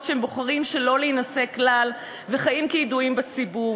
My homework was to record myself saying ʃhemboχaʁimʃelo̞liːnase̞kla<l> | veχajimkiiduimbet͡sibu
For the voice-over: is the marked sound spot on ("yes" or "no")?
yes